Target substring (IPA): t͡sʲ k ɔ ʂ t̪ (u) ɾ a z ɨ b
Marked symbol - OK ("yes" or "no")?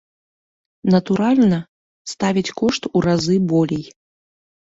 yes